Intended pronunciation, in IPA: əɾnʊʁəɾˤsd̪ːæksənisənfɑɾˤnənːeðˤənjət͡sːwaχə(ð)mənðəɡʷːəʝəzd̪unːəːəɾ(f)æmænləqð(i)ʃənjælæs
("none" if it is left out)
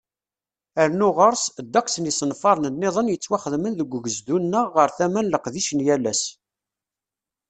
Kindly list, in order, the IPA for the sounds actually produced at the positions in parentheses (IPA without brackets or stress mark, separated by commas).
ð, θ, i